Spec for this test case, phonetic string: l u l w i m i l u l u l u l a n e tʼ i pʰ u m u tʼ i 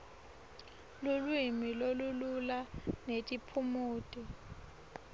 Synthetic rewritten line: l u l w i m i l o l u l u l a n e tʼ i pʰ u m uː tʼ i